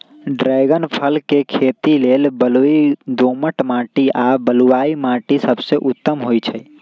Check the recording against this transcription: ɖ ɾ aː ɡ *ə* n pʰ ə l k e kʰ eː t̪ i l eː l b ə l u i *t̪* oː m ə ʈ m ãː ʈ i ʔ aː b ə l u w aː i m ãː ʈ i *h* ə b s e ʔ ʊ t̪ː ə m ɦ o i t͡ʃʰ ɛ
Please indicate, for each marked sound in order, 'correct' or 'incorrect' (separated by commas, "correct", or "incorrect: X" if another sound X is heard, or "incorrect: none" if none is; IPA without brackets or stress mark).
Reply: correct, incorrect: d̪, incorrect: s